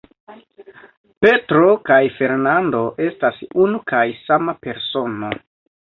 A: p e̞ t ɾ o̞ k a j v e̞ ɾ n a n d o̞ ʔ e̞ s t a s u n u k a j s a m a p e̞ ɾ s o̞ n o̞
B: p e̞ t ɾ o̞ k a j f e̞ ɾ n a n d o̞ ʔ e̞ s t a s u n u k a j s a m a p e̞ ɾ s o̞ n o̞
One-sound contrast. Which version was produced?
B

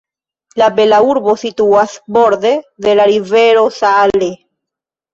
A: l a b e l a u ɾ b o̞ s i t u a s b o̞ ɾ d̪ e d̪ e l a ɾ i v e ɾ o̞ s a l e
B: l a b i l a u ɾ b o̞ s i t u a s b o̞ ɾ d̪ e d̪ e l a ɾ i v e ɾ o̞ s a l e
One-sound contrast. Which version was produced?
A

